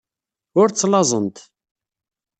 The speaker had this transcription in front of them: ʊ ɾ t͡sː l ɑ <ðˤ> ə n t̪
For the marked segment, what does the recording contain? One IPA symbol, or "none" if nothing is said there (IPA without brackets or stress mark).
zˤ